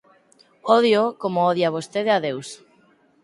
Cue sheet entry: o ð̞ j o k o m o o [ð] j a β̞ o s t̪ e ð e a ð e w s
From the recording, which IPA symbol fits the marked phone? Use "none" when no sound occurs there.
ð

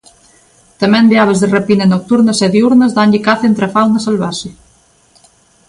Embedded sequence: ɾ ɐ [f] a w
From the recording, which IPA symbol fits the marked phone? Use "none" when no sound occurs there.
f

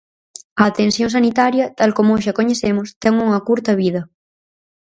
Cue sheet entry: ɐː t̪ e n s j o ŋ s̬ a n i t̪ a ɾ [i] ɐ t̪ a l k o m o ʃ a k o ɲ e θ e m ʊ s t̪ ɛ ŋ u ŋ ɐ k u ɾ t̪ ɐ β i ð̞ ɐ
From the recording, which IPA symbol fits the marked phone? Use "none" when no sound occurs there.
j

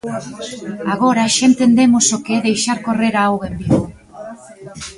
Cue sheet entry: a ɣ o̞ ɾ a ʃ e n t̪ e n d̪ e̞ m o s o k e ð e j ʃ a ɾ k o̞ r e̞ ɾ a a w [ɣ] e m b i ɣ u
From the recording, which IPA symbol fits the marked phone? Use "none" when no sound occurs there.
ɣ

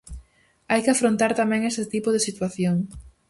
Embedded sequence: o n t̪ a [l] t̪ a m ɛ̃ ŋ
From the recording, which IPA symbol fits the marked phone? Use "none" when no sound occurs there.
ɾ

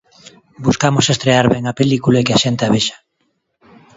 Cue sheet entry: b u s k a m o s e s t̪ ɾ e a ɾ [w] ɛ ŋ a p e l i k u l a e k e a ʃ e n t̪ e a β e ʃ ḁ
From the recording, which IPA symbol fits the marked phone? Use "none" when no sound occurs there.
β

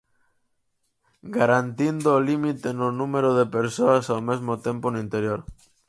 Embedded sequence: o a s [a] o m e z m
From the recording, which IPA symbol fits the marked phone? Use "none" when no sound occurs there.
a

